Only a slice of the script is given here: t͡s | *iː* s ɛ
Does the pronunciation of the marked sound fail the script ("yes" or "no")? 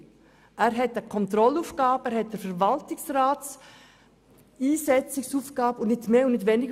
no